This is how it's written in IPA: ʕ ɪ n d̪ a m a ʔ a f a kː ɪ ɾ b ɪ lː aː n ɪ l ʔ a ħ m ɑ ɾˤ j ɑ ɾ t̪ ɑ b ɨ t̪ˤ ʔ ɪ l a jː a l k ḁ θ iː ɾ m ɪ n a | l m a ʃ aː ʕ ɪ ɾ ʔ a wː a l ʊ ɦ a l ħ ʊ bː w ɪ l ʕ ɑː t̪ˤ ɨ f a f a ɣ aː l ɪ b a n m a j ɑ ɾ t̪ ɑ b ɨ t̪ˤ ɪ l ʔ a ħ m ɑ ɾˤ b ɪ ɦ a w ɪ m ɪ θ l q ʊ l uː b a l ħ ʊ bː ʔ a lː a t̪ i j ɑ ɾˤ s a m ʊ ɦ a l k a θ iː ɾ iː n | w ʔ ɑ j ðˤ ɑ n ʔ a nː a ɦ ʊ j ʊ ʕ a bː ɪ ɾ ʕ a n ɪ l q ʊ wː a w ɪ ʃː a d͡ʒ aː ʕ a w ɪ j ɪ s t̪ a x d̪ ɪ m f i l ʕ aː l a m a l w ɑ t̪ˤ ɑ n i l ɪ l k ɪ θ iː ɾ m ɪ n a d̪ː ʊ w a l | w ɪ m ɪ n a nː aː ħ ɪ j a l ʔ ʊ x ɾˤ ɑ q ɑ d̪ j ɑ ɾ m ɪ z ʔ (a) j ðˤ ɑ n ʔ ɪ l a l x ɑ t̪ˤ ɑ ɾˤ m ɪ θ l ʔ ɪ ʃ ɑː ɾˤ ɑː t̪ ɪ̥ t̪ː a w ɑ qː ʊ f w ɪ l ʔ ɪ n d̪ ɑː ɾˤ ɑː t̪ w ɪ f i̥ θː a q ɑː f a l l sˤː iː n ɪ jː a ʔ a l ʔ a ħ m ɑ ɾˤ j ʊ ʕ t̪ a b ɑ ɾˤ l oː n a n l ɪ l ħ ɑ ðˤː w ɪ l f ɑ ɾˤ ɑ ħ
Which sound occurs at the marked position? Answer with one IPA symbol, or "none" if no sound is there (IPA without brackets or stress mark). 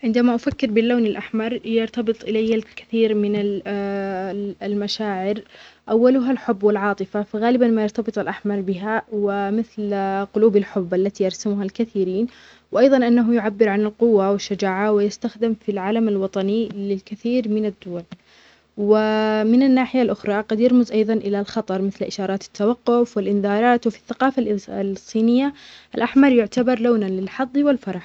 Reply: ɑ